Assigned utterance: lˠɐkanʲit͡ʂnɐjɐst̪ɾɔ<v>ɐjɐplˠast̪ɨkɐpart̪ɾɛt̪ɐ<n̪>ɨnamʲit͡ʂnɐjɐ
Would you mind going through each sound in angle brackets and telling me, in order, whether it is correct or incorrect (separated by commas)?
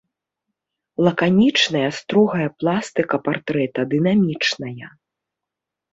incorrect, incorrect